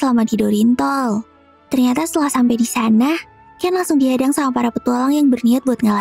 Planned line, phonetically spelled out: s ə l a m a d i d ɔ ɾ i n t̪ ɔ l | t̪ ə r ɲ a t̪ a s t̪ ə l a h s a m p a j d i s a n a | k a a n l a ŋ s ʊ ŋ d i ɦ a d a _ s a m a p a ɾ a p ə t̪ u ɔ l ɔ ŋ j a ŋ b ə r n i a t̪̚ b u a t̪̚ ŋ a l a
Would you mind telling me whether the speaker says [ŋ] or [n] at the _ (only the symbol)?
ŋ